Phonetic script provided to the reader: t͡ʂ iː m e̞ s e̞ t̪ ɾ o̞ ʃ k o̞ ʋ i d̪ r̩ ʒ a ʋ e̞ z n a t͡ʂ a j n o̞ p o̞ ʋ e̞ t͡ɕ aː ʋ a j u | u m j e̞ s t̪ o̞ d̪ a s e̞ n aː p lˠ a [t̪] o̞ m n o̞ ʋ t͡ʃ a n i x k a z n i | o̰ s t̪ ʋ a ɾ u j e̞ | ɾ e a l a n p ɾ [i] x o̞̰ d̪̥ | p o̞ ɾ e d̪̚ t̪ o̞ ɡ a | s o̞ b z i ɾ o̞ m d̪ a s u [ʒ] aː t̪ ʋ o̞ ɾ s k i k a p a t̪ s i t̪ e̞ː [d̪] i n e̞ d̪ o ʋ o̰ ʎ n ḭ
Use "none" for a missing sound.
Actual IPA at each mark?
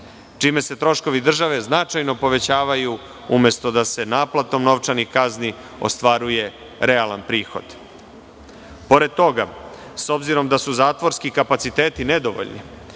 t̪, iː, z, t̪

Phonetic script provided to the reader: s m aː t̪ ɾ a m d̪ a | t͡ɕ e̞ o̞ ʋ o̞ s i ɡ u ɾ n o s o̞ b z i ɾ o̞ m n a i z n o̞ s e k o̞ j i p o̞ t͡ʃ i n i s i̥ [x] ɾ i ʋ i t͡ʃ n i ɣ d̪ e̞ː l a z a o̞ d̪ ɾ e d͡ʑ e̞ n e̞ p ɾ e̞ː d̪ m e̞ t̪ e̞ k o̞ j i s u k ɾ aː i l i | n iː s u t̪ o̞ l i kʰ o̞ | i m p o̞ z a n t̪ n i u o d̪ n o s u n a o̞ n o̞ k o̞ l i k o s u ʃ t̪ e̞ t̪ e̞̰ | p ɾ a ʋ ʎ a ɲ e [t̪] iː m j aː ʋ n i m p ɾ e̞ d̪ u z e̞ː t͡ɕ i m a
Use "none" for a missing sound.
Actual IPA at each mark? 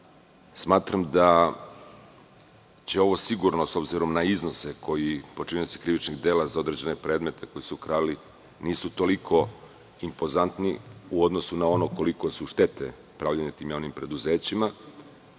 k, t̪

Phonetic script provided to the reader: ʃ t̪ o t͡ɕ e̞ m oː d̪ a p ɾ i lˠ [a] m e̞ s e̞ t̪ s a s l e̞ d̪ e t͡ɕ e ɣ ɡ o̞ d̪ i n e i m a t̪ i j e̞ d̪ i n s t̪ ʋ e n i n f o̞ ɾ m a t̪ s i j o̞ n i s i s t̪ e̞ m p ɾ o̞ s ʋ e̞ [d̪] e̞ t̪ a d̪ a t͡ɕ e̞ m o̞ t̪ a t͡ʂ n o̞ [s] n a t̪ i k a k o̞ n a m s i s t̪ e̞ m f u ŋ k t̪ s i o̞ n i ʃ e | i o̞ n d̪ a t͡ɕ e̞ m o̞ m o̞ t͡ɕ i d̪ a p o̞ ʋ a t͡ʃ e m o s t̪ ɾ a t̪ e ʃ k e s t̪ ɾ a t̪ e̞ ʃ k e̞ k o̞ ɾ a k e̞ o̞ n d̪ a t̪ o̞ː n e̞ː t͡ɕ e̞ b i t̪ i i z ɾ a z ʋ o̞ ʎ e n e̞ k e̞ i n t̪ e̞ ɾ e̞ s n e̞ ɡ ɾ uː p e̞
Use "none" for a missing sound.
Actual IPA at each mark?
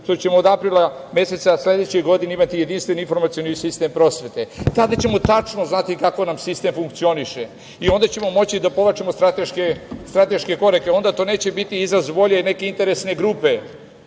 a, t̪, z

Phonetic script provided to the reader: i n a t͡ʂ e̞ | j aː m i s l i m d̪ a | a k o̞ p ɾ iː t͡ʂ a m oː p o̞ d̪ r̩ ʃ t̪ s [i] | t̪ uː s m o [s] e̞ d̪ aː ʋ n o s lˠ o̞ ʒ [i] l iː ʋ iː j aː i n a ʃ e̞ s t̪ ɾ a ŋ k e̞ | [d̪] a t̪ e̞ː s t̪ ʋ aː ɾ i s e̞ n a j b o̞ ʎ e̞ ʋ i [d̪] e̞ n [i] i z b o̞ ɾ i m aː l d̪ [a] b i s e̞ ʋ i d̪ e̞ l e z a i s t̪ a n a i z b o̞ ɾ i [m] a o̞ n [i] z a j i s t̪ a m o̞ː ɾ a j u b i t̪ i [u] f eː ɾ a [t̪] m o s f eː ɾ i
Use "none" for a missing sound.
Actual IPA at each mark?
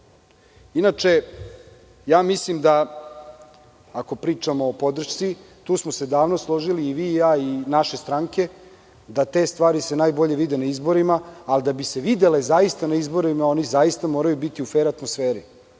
i, s, i, d̪, d̪, a, a, m, i, u, t̪

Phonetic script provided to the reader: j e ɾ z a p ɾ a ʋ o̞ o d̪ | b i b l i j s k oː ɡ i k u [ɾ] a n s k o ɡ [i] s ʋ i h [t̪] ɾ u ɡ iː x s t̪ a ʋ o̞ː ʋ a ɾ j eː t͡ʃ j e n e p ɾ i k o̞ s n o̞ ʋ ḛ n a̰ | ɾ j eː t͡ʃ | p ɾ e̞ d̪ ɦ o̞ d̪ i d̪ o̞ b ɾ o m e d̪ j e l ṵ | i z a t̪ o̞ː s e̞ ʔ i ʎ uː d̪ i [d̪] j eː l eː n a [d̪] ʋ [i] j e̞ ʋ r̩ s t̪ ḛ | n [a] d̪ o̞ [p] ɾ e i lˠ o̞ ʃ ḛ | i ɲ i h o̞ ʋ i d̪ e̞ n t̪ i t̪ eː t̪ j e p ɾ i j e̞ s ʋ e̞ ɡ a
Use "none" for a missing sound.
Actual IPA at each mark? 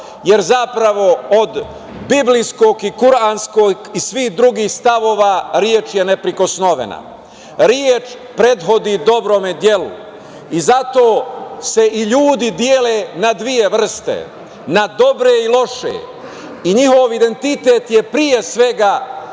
ɾ, i, d̪, d̪, d̪, i, a, b

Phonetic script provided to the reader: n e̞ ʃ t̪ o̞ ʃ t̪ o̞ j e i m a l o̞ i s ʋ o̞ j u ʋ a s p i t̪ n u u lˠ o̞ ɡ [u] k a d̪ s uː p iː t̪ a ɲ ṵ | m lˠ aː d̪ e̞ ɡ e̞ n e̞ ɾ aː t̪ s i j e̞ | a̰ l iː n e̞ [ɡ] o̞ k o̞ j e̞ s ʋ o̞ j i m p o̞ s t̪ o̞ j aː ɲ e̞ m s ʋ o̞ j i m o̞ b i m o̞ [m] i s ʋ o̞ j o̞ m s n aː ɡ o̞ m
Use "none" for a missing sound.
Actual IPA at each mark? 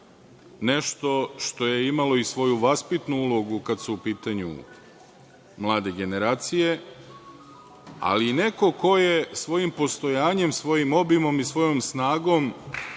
u, k, m

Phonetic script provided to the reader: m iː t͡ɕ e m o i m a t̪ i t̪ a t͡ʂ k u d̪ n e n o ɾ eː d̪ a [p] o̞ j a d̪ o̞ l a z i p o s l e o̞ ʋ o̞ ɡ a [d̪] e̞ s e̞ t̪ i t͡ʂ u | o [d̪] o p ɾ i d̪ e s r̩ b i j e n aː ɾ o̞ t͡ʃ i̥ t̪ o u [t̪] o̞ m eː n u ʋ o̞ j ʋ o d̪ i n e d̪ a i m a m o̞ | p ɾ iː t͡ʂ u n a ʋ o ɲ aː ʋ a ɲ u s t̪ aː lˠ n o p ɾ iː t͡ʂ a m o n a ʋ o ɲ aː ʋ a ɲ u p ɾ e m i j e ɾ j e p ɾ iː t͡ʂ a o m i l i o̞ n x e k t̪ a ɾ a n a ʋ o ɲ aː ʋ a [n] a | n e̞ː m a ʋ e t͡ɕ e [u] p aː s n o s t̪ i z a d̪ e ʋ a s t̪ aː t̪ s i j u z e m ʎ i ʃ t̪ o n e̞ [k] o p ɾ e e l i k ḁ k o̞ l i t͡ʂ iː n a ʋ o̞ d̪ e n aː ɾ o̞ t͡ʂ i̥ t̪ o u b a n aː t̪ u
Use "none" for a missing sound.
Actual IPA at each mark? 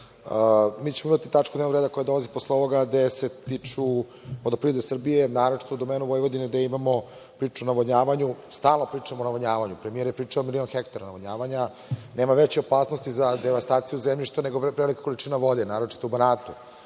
k, d̪, d̪, d̪, ɲ, o, ɡ

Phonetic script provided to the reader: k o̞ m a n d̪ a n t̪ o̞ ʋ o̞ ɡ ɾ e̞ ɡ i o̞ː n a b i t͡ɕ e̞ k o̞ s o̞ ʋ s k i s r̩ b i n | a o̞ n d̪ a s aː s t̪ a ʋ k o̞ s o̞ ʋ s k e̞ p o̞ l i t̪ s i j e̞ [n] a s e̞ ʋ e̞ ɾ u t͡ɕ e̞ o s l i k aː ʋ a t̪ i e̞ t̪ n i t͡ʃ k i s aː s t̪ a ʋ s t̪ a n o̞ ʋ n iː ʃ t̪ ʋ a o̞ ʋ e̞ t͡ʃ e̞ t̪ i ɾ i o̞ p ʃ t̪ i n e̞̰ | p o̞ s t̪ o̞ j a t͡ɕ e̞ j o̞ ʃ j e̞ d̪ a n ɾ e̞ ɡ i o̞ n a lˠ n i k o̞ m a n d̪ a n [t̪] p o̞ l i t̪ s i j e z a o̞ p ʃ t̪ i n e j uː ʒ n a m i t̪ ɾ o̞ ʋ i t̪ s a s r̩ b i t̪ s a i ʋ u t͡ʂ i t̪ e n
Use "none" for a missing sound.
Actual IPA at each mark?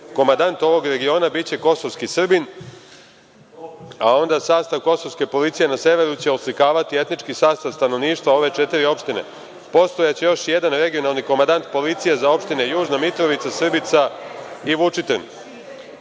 n, t̪

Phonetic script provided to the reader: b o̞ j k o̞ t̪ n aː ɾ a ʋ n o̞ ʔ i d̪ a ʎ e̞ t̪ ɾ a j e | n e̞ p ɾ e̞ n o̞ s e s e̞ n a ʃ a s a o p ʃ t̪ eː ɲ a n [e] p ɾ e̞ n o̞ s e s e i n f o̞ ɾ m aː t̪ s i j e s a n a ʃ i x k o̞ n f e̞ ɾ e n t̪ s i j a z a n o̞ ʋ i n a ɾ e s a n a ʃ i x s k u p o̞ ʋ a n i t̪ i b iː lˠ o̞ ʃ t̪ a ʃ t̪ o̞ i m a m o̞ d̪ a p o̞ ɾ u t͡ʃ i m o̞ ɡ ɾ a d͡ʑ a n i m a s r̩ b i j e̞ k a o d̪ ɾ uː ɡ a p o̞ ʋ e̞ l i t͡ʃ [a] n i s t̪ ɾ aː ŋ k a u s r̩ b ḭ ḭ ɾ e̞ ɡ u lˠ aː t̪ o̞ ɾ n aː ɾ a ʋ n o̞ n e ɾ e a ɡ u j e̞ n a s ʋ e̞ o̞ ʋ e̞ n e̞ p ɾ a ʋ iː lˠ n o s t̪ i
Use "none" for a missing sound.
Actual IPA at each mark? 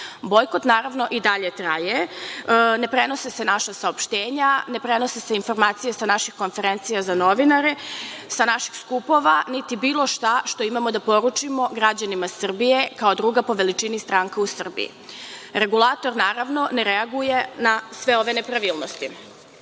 e, i

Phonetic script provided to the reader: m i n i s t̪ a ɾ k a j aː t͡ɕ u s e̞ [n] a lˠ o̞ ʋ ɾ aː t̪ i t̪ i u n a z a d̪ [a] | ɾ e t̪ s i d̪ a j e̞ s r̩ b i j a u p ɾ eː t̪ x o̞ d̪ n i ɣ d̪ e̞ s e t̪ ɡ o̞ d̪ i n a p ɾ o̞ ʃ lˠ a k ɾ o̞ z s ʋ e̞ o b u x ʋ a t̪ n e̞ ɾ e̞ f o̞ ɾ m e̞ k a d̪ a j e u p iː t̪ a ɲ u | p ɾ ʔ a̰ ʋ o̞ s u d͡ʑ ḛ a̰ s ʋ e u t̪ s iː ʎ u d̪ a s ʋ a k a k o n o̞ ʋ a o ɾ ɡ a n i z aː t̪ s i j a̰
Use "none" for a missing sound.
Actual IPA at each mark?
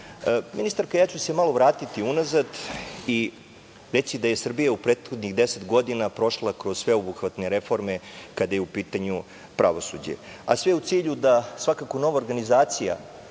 m, i

